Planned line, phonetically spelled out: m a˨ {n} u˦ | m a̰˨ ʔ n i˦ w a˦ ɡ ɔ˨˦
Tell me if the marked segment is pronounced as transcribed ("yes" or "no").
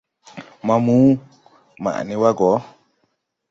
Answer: no